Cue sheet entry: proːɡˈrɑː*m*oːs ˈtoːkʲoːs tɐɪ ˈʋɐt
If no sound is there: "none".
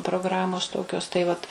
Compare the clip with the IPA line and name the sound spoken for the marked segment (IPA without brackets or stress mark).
m